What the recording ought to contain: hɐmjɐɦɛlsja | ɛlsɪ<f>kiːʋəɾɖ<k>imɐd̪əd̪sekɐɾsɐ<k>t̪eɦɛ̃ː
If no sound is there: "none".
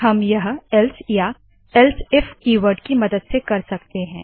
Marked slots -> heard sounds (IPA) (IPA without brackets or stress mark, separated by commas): f, k, k